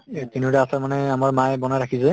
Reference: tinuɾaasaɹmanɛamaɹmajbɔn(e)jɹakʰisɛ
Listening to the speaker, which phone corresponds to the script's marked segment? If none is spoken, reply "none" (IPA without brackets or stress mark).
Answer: a